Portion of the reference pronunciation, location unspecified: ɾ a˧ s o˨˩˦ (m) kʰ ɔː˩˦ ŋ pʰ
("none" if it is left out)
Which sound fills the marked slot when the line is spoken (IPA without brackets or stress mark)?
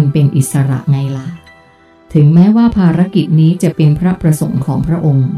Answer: ŋ